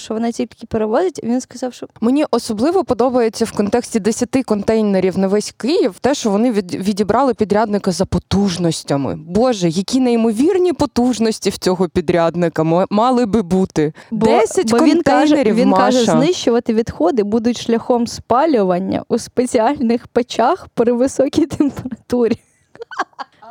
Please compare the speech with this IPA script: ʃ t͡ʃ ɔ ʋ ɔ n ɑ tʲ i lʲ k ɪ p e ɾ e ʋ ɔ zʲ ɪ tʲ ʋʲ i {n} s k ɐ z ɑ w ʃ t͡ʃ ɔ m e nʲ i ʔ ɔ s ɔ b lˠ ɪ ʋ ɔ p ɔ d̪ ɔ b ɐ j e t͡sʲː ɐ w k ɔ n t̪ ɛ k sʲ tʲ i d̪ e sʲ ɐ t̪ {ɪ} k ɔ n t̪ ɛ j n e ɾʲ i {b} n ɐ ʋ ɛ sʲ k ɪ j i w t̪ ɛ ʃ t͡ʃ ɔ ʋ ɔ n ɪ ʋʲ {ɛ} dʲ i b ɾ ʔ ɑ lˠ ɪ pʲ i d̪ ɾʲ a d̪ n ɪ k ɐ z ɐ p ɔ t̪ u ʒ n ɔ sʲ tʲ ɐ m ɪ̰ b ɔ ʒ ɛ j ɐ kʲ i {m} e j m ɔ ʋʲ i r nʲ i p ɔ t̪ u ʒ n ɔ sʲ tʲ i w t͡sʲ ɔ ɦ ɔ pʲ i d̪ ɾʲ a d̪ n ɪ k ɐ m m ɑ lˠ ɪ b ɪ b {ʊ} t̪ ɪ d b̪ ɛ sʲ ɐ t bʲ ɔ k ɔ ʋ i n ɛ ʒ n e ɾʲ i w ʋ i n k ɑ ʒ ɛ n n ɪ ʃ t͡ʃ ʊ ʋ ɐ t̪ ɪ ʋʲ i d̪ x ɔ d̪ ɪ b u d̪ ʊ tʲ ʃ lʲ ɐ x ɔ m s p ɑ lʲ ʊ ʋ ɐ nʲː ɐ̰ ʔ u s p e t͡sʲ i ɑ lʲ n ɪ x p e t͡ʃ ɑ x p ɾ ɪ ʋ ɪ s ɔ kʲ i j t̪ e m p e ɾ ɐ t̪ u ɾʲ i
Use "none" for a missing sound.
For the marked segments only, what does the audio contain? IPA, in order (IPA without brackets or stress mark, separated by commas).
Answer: n, ɪ, w, i, n, u